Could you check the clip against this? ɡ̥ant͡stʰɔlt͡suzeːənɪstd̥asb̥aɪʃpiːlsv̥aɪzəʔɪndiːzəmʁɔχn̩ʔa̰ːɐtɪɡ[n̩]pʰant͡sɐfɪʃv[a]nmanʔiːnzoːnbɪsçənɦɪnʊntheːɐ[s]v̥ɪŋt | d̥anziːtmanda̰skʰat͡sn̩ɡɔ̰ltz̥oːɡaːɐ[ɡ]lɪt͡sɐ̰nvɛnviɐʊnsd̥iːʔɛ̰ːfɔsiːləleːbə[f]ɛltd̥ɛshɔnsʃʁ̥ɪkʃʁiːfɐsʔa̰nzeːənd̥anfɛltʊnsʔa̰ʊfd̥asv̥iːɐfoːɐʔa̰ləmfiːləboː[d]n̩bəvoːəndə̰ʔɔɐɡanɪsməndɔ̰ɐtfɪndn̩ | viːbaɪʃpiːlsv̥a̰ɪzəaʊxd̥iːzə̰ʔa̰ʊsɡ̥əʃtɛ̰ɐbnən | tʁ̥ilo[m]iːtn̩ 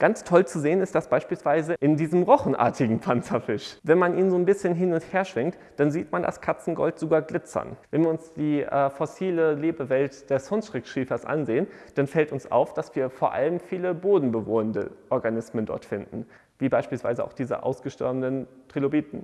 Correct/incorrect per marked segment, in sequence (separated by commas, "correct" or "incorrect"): incorrect, incorrect, incorrect, correct, incorrect, correct, incorrect